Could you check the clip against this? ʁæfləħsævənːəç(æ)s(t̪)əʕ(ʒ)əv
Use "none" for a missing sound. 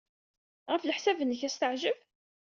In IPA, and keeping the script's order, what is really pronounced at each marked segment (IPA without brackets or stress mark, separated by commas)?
æ, t̪, ʒ